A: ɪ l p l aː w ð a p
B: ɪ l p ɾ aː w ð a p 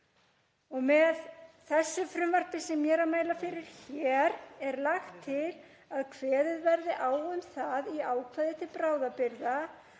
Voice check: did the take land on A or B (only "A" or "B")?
B